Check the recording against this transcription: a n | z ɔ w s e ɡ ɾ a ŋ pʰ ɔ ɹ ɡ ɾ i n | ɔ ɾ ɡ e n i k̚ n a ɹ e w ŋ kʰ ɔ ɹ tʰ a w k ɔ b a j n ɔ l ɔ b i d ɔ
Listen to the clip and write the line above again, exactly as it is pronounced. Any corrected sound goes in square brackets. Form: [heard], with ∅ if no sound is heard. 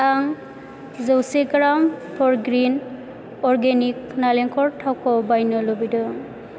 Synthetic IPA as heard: a [ŋ] | z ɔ w s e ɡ ɾ a [m] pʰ ɔ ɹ ɡ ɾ i n | ɔ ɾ ɡ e n i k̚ n a [l] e [∅] ŋ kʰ ɔ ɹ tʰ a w k ɔ b a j n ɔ l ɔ b i d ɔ

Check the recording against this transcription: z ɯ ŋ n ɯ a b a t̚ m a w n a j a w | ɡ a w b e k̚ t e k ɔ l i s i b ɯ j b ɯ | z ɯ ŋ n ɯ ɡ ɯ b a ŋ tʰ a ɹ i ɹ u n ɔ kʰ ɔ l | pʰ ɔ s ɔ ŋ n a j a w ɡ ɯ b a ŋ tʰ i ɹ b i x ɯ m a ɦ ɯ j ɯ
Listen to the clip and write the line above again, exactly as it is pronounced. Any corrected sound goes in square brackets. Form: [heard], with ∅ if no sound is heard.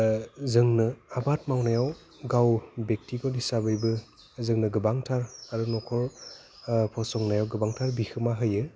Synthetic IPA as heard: z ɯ ŋ n ɯ a b a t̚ m a w n a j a w | ɡ a w b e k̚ t [i] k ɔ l i s [a] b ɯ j b ɯ | z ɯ ŋ n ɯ ɡ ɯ b a ŋ tʰ a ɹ [a] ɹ u n ɔ kʰ ɔ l | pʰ ɔ s ɔ ŋ n a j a w ɡ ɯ b a ŋ tʰ [a] ɹ b i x ɯ m a ɦ ɯ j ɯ

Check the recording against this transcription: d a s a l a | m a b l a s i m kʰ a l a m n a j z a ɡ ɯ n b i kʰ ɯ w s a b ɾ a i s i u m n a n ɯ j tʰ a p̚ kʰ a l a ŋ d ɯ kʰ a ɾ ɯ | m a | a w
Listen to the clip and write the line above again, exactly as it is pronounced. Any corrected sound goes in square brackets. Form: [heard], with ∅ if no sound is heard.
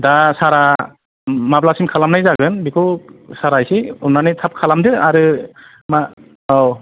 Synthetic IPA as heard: d a s a [ɾ] a | m a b l a s i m kʰ a l a m n a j z a ɡ ɯ n b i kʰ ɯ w s a [∅] ɾ a [j] s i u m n a n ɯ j tʰ a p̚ kʰ a l a [m] d ɯ [∅] a ɾ ɯ | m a | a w

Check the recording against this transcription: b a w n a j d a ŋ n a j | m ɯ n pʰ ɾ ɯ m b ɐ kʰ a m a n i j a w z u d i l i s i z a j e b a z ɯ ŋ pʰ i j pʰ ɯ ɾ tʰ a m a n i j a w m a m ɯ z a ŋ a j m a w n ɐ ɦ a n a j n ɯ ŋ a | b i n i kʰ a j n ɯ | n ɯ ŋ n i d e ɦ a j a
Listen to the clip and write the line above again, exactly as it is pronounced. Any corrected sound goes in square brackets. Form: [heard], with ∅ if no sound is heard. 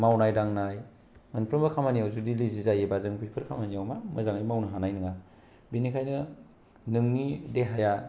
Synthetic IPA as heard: [m] a w n a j d a ŋ n a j | m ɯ n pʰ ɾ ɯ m b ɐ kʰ a m a n i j a w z u d i l i [z] i z a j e b a z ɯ ŋ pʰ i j pʰ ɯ ɾ [kʰ] a m a n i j a w m a m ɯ z a ŋ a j m a w n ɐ ɦ a n a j n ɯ ŋ a | b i n i kʰ a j n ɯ | n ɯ ŋ n i d e ɦ a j a

